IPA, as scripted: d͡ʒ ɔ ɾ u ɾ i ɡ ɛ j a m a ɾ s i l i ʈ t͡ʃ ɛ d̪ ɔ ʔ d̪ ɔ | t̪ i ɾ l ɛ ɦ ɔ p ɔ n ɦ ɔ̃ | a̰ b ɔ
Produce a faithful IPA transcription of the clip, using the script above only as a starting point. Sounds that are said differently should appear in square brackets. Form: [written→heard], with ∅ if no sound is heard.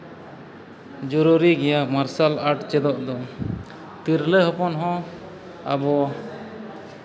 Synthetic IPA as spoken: d͡ʒ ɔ ɾ u ɾ i ɡ ɛ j a m a ɾ s [i→a] l [i→a] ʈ t͡ʃ ɛ d̪ ɔ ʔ d̪ ɔ | t̪ i ɾ l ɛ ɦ ɔ p ɔ n ɦ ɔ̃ | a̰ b ɔ